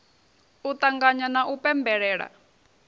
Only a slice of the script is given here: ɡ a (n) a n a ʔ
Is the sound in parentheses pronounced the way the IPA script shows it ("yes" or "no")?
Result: no